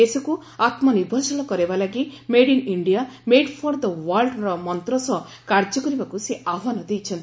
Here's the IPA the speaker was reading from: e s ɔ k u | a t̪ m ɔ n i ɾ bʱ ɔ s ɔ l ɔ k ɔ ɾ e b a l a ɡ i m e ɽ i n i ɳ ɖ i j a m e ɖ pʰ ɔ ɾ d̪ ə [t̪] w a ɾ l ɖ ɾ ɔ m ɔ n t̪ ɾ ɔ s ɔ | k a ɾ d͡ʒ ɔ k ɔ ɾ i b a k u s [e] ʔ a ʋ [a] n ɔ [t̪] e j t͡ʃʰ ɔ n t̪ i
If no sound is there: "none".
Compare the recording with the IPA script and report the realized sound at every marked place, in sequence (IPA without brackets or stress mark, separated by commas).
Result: none, e, a, d̪